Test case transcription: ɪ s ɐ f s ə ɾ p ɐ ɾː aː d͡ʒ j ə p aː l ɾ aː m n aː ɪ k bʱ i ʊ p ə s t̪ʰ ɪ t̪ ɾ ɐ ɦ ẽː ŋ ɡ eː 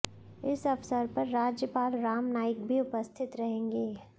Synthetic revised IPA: ɪ s ɐ f s ə ɾ p ɐ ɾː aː d͡ʒ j ə p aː l ɾ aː m n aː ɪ k bʱ i ʊ p ə s t̪ʰ ɪ t̪ ɾ ɐ ɦ ẽː ŋ ɡ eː